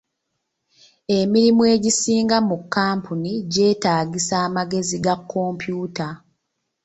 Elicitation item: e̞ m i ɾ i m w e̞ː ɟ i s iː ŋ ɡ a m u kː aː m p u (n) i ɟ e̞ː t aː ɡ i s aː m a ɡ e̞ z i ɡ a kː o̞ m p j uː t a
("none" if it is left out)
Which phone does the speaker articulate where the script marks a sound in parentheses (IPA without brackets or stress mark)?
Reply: n